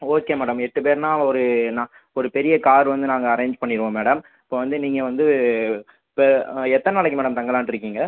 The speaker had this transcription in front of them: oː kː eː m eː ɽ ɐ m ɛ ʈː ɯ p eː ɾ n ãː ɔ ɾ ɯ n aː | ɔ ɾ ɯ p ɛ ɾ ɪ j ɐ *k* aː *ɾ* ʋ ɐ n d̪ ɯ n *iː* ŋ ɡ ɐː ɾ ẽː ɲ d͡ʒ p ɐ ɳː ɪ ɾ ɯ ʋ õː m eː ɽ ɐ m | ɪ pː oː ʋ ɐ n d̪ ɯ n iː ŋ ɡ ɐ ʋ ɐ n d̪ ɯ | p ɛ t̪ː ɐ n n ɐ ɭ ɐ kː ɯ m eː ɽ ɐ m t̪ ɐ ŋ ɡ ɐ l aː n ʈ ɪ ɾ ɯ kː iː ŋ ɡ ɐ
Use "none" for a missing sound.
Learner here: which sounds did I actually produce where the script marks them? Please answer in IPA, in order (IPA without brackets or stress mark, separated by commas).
k, ɾ, aː